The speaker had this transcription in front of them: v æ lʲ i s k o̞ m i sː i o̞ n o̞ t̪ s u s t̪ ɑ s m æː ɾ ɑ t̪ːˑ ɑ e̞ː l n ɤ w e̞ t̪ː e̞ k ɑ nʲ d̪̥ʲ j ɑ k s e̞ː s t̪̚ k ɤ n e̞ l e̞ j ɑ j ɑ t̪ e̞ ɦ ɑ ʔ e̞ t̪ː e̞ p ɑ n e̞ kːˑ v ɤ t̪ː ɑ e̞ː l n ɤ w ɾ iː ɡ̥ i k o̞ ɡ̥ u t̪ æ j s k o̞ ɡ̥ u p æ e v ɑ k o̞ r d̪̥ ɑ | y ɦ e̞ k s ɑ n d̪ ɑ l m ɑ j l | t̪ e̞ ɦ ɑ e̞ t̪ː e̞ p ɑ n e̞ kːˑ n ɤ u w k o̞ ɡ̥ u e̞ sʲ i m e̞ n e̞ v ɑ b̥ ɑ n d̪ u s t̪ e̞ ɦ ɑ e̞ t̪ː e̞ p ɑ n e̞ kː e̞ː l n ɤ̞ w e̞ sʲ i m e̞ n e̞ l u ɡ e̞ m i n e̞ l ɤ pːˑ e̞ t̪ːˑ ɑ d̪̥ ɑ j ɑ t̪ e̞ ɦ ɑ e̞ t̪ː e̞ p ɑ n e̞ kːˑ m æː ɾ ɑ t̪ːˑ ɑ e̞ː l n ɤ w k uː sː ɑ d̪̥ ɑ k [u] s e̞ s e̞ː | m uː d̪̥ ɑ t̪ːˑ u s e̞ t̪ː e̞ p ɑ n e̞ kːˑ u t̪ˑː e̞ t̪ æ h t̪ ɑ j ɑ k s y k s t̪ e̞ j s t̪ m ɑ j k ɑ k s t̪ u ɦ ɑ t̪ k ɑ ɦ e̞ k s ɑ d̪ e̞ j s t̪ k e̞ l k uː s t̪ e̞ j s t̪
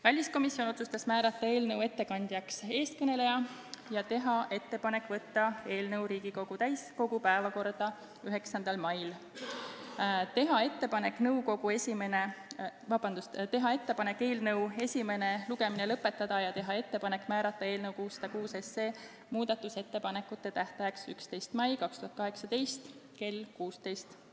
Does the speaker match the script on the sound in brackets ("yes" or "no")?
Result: no